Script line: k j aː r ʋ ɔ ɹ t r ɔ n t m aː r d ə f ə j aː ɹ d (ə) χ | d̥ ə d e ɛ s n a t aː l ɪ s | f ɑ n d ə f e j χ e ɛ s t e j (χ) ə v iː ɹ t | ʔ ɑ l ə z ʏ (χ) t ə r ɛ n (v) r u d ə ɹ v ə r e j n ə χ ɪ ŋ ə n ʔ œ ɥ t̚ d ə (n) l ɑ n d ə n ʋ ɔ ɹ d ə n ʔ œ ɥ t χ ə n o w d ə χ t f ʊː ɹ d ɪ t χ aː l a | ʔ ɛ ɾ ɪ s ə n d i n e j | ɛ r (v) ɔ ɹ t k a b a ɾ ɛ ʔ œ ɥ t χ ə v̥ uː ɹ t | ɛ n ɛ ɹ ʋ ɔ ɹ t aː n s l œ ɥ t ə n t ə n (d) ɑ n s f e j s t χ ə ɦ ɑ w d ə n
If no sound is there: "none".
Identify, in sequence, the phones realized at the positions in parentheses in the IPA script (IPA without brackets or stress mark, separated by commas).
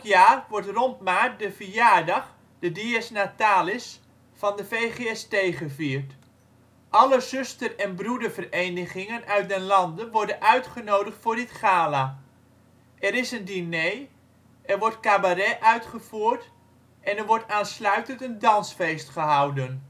ɑ, χ, s, b, n, ʋ, d